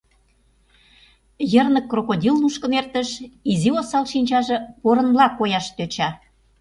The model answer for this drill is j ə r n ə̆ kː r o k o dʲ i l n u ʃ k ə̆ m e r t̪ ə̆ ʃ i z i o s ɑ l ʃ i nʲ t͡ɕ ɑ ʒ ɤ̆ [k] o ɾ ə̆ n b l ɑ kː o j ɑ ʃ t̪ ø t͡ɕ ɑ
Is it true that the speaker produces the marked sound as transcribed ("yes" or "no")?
no